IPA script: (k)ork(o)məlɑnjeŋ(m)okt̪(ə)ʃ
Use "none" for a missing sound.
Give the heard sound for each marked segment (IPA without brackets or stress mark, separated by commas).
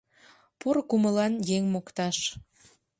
p, u, m, ɑ